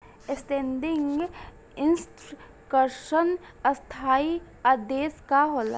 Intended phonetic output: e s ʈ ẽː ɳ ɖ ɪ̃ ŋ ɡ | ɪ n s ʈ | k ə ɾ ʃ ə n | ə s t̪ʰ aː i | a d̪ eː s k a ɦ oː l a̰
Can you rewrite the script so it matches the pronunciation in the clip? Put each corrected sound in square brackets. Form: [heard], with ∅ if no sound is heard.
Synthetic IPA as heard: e s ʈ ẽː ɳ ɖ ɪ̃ ŋ ɡ | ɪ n s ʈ | k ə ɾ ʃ ə n | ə s t̪ʰ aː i | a d̪ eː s k a ɦ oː l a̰